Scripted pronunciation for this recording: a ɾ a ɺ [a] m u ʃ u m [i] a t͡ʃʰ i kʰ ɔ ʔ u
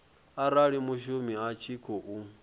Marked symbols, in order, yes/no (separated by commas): no, yes